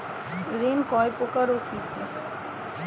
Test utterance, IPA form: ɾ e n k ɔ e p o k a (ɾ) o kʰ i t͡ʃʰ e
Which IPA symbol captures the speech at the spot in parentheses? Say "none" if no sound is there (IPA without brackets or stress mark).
ɾ